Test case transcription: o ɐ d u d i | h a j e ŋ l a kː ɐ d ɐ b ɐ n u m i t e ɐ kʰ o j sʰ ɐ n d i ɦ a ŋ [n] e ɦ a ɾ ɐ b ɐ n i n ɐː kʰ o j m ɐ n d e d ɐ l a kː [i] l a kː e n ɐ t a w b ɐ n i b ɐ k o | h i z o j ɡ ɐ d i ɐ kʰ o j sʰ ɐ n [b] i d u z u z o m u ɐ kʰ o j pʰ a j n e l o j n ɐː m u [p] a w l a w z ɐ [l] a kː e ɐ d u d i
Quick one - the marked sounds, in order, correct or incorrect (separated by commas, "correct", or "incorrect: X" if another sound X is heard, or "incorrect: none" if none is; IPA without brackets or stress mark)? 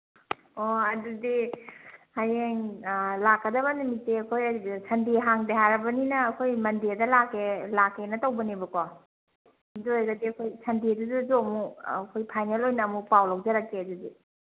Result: incorrect: d, incorrect: e, incorrect: d, correct, incorrect: ɾ